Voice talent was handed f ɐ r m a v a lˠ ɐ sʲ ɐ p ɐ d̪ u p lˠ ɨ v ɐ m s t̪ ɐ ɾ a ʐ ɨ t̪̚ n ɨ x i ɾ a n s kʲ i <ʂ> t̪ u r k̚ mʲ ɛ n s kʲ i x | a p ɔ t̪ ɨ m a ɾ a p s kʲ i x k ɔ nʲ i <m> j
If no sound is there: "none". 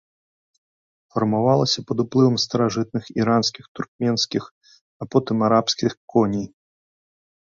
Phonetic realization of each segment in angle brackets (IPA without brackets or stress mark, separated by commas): x, none